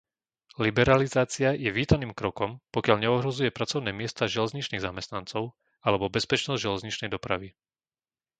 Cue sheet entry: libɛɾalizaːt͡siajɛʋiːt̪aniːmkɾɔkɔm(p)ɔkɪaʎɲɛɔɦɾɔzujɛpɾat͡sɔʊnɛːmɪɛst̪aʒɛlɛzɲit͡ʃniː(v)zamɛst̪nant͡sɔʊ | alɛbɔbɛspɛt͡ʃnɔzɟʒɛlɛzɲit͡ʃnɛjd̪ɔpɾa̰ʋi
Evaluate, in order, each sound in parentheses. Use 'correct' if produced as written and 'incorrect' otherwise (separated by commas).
correct, incorrect